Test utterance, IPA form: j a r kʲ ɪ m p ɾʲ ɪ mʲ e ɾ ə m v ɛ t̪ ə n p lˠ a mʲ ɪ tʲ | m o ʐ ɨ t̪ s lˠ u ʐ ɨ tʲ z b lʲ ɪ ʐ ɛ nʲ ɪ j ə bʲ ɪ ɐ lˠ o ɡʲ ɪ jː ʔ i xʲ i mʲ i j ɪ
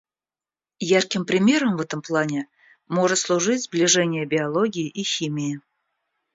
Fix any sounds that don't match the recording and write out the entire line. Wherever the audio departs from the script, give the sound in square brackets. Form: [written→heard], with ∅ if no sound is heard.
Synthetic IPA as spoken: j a r kʲ ɪ m p ɾʲ ɪ mʲ e ɾ ə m v ɛ t̪ ə [n→m] p lˠ a [mʲ→nʲ] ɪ [tʲ→∅] | m o ʐ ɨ t̪ s lˠ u ʐ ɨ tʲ z b lʲ ɪ ʐ ɛ nʲ ɪ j ə bʲ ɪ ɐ lˠ o ɡʲ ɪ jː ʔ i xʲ i mʲ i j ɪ